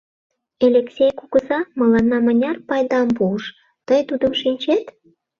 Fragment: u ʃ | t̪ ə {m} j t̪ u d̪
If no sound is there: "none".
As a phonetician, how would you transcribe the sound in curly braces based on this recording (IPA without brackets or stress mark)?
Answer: none